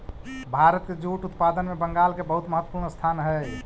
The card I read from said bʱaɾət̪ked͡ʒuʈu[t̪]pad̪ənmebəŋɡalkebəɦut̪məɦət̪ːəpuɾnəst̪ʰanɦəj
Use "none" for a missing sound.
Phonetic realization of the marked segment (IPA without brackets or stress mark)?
t̪